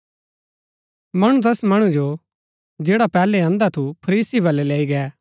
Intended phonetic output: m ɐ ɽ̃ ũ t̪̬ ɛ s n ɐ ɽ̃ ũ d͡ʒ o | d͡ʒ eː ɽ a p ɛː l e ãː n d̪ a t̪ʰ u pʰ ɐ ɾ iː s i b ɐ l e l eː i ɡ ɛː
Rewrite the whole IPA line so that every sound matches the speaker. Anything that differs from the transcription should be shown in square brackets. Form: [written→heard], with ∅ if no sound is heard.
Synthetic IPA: m ɐ ɽ̃ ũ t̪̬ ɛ s [n→m] ɐ ɽ̃ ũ d͡ʒ o | d͡ʒ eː ɽ a p ɛː l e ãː n d̪ a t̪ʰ u pʰ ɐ ɾ iː s i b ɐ l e l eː i ɡ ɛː